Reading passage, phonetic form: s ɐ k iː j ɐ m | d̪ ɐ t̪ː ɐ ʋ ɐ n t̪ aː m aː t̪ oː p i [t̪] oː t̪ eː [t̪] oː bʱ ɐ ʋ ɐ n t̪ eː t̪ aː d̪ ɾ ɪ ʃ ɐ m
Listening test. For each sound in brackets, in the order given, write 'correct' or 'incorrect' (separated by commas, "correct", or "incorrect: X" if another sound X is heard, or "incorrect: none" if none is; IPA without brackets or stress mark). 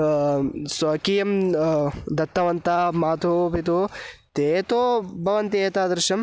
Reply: correct, correct